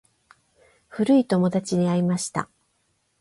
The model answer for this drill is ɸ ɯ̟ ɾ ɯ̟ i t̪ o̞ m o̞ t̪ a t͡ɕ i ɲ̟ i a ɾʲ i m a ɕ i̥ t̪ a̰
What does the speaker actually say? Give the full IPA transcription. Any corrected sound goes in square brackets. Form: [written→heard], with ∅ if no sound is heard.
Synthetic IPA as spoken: ɸ ɯ̟ ɾ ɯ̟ i t̪ o̞ m o̞ [t̪→d̪] a t͡ɕ i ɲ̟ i a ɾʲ i m a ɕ i̥ t̪ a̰